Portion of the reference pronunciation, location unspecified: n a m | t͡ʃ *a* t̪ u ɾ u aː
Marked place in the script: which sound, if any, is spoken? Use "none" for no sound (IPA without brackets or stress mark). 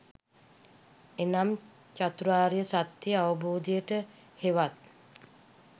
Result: a